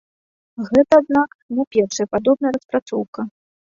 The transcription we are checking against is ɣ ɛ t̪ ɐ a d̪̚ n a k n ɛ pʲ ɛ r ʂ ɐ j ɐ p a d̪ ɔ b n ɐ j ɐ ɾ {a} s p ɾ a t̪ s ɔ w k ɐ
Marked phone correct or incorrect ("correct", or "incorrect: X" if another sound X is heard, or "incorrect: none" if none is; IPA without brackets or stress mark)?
incorrect: ɐ